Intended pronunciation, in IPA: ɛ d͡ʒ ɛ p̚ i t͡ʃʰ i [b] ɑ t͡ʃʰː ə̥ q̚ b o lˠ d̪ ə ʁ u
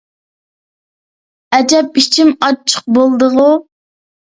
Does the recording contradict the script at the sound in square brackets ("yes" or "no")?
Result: yes